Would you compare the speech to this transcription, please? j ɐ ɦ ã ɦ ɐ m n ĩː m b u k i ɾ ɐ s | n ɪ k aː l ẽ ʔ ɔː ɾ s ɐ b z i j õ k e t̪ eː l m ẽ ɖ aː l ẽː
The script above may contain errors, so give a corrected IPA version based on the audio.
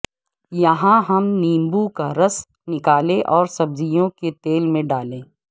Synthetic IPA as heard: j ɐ ɦ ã ɦ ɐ m n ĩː m b u k a ɾ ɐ s | n ɪ k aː l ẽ ʔ ɔː ɾ s ɐ b z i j õ k e t̪ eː l m ẽ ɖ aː l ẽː